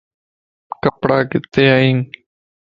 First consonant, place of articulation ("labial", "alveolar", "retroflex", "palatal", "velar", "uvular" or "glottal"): velar